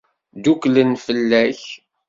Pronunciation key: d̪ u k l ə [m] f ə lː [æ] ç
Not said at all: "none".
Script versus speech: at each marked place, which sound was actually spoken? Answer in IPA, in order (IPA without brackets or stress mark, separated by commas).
n, æ